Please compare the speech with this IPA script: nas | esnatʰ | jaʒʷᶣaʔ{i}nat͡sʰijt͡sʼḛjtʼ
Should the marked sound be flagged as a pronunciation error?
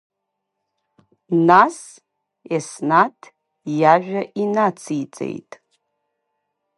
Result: no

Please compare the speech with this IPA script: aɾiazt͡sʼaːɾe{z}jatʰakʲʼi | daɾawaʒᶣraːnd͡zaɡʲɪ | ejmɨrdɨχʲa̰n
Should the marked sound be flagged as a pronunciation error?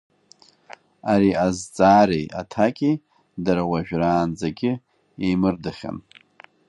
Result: yes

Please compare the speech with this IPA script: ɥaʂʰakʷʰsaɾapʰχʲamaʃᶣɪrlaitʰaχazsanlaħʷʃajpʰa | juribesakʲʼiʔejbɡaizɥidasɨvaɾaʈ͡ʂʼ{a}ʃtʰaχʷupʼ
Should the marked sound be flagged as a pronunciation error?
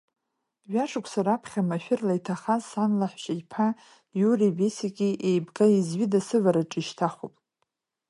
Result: yes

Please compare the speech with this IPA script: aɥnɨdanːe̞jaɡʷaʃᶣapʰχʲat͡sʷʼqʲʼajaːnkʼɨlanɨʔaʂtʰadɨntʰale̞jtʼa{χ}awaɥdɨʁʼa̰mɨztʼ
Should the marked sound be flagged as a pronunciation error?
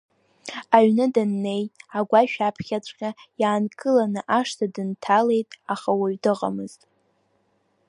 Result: no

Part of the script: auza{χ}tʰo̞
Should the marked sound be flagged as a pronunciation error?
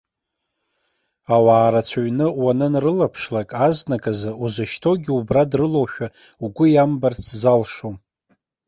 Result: yes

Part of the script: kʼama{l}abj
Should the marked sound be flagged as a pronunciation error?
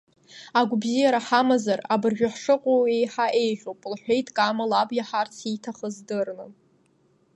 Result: no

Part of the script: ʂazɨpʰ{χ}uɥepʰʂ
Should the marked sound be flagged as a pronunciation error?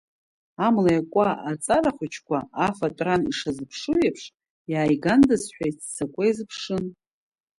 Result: yes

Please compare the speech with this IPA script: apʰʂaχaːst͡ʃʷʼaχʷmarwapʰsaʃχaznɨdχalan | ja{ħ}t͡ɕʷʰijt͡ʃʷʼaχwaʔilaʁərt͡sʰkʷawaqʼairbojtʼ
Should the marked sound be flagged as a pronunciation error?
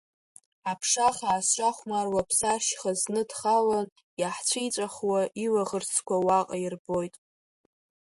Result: no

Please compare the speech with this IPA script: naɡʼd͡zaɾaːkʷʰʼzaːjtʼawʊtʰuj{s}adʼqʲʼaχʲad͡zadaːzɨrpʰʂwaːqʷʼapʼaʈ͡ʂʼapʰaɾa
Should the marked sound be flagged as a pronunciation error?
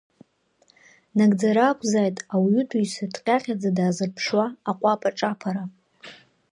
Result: no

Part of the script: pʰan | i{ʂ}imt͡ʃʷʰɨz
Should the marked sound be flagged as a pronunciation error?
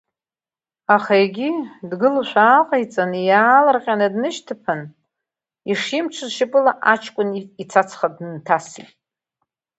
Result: no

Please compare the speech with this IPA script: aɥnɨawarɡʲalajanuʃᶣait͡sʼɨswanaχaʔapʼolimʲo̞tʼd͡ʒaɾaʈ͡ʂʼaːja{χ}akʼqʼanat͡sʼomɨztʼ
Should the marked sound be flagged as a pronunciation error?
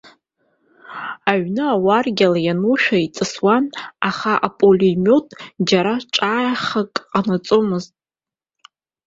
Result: no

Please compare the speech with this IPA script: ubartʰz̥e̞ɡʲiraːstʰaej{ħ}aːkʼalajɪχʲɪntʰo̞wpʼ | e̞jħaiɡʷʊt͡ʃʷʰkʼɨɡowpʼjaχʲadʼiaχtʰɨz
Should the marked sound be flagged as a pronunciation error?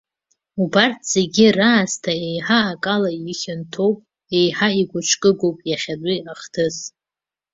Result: no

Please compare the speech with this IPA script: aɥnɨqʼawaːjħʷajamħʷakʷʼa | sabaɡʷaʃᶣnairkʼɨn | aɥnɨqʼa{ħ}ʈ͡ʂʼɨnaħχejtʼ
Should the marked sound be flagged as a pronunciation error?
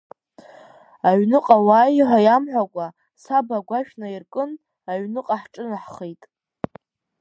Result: no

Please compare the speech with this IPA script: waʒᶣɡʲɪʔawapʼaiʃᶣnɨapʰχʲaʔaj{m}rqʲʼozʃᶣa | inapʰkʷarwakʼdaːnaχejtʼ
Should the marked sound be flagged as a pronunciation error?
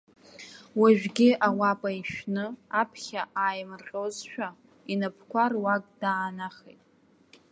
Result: no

